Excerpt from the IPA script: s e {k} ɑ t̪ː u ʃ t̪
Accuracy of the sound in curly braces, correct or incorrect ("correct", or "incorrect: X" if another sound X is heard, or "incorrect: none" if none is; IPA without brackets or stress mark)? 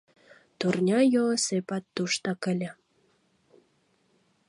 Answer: incorrect: p